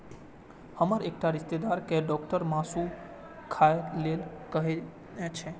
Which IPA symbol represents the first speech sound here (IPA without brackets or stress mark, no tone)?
h